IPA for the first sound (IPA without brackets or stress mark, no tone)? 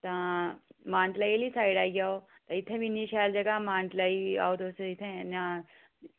t̪